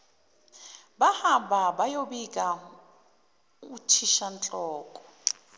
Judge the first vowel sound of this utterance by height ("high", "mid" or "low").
low